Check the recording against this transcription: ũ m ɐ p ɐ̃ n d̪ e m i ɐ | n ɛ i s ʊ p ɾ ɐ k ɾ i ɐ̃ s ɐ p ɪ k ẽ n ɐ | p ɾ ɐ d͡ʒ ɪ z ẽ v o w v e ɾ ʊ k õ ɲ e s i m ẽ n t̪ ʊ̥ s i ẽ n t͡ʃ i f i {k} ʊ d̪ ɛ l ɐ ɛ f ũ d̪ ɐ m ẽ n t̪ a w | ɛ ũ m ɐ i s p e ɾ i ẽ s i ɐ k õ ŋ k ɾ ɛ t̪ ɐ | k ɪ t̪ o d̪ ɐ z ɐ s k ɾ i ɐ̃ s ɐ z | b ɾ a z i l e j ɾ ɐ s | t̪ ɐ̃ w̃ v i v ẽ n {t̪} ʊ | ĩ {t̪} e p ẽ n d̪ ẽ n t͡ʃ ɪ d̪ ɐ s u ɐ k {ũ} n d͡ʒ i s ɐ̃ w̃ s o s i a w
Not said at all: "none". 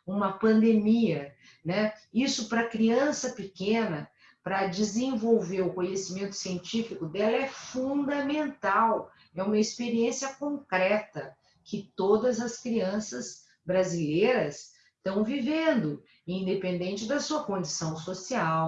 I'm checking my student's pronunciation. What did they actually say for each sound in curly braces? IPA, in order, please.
k, d̪, d̪, õ

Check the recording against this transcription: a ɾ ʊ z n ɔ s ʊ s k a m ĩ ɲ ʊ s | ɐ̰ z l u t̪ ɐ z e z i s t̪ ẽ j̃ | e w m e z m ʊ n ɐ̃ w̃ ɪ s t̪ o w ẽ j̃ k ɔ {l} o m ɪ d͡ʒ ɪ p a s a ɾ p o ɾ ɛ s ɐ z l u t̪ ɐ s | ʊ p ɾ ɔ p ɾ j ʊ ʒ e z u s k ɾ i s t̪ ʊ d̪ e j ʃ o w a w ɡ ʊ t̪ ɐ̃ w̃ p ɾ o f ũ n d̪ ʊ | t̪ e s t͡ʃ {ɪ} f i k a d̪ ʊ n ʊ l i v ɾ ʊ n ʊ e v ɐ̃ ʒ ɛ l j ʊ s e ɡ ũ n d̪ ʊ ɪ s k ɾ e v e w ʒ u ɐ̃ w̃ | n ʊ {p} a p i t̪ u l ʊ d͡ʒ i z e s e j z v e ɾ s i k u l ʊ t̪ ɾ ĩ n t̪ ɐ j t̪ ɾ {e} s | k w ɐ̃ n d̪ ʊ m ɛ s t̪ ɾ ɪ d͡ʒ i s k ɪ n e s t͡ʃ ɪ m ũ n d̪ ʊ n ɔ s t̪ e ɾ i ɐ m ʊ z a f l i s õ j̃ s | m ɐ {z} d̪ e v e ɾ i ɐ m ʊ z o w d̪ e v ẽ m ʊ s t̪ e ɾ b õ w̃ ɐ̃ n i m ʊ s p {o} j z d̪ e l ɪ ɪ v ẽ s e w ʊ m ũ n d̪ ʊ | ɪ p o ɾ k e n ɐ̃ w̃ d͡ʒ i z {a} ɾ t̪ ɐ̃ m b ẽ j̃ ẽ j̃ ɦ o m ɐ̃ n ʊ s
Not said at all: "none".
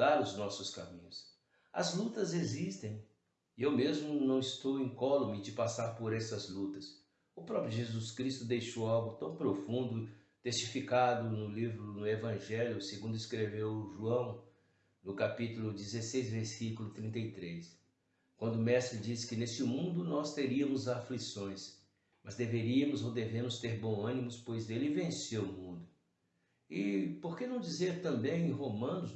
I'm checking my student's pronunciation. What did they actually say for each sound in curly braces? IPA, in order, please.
l, i, k, e, z, o, e

